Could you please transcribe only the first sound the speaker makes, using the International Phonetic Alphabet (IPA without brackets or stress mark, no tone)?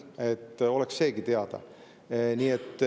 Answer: e̞